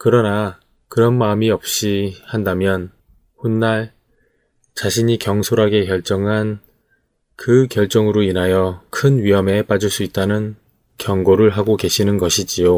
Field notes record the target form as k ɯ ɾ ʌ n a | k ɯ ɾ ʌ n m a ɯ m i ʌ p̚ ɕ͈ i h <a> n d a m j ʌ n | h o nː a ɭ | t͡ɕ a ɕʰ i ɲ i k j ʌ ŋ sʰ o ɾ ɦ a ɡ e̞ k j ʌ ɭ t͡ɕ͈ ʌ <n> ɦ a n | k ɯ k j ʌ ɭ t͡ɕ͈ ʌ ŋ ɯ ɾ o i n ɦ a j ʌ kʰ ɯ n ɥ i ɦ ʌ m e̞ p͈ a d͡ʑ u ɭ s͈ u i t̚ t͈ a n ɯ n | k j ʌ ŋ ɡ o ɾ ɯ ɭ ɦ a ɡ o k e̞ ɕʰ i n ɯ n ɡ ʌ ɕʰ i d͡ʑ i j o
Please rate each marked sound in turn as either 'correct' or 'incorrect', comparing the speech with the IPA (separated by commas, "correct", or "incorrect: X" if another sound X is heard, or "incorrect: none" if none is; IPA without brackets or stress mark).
correct, incorrect: ŋ